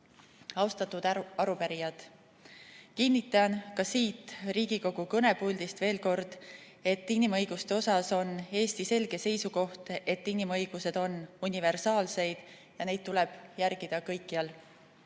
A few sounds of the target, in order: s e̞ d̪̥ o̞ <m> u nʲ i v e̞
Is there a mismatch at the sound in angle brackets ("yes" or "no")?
yes